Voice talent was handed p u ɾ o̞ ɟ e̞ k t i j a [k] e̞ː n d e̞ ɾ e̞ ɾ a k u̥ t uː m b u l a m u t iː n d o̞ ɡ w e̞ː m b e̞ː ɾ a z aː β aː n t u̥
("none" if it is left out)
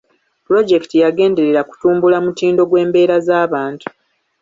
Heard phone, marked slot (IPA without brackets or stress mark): ɡ